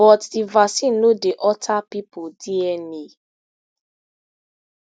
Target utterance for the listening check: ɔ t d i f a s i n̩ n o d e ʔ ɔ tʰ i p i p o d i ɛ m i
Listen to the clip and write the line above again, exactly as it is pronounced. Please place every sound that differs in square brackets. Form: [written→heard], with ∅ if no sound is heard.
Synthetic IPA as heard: ɔ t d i [f→v] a s i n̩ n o d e ʔ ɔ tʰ [i→a] p i p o d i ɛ [m→n] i